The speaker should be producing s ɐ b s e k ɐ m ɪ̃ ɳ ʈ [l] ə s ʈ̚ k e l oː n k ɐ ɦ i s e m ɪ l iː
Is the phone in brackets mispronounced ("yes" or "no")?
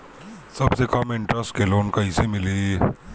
yes